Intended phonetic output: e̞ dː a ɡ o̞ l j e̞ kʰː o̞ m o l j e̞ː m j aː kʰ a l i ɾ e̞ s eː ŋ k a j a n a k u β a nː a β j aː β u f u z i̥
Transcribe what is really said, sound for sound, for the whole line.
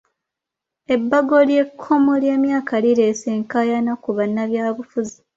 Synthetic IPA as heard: e̞ bː a ɡ o̞ l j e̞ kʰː o̞ m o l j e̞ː m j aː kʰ a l i ɾ e̞ s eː ŋ k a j a n a k u β a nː a β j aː β u f u z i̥